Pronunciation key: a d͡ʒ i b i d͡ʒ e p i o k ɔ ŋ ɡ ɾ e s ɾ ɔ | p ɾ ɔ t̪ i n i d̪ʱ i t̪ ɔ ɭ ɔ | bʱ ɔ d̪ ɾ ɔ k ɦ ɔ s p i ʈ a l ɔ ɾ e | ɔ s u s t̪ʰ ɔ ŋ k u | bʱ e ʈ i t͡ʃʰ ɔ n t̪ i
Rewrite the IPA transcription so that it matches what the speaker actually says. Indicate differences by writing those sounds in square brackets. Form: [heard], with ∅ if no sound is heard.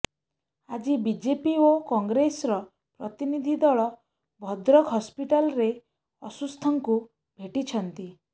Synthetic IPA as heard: a d͡ʒ i b i d͡ʒ e p i o k ɔ ŋ ɡ ɾ e s ɾ ɔ | p ɾ ɔ t̪ i n i d̪ʱ i [d̪] ɔ ɭ ɔ | bʱ ɔ d̪ ɾ ɔ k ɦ ɔ s p i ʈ a l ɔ ɾ e | ɔ s u s t̪ʰ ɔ ŋ k u | bʱ e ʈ i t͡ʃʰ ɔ n t̪ i